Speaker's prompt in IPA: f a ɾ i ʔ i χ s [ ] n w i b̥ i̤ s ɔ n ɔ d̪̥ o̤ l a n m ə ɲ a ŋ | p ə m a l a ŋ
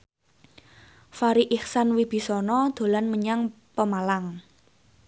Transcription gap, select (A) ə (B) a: B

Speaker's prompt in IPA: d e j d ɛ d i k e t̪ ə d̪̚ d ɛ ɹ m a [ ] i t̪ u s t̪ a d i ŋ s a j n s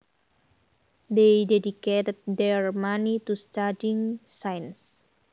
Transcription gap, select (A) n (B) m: A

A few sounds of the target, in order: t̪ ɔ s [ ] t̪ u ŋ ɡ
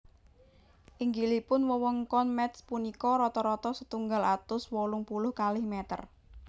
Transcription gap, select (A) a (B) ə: B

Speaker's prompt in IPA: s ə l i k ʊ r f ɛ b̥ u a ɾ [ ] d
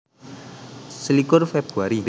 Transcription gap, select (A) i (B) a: A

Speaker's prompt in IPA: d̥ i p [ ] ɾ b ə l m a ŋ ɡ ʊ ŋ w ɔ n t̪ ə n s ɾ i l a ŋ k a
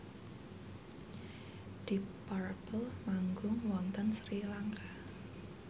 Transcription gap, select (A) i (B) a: B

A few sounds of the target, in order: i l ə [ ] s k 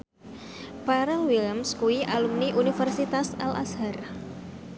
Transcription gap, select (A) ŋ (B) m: B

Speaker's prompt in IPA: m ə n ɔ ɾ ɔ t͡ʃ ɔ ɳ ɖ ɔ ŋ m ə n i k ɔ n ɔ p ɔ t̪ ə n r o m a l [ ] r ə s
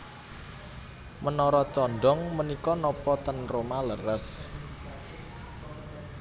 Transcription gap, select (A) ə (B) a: A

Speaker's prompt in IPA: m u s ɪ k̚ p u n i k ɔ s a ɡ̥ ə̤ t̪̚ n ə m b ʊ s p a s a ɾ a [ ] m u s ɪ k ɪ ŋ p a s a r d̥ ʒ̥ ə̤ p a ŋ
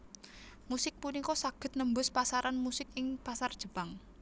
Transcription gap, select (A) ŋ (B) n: B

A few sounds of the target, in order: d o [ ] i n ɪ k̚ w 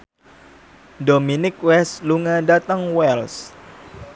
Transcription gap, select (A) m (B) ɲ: A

